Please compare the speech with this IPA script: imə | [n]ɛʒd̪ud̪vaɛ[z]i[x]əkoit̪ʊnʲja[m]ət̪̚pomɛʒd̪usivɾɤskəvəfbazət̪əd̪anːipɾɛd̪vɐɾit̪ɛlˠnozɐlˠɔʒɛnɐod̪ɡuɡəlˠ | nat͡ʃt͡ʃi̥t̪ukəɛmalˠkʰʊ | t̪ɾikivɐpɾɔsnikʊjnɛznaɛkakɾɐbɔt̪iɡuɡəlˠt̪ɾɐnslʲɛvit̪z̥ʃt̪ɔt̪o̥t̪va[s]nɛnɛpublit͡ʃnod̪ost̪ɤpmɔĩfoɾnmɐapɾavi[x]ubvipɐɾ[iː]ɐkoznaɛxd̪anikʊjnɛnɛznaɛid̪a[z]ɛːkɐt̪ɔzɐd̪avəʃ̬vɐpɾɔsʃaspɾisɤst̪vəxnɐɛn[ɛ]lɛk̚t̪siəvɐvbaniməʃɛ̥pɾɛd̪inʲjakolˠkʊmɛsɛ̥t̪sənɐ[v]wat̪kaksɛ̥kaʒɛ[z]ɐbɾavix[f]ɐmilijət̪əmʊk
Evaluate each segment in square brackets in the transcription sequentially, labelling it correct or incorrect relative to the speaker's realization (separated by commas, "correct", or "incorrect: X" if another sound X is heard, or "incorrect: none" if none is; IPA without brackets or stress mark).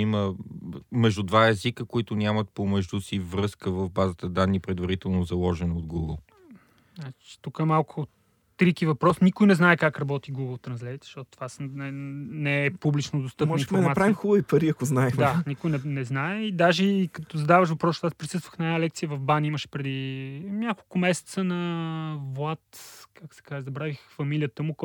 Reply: incorrect: m, correct, incorrect: k, correct, correct, correct, incorrect: i, incorrect: ʒ, incorrect: a, correct, correct, correct